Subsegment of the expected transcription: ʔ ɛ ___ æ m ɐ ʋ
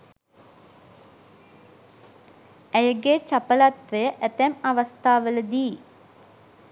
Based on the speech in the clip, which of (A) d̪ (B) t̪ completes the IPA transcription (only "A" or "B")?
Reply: B